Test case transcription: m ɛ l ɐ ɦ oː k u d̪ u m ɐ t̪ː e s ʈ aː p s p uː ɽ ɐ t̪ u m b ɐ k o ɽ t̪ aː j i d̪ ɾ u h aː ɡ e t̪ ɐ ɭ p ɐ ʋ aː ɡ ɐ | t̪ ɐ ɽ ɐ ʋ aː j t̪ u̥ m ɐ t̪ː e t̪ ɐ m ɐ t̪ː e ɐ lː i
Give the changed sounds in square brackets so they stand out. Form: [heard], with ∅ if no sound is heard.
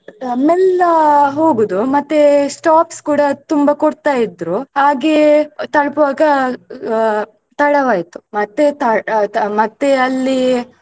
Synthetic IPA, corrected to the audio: m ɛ l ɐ ɦ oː [ɡ] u d̪ u m ɐ t̪ː e s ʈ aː p s [k] uː ɽ ɐ t̪ u m b ɐ k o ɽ t̪ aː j i d̪ ɾ u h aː ɡ e t̪ ɐ ɭ p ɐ ʋ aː ɡ ɐ | t̪ ɐ ɽ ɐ ʋ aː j t̪ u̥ m ɐ t̪ː e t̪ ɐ m ɐ t̪ː e ɐ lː i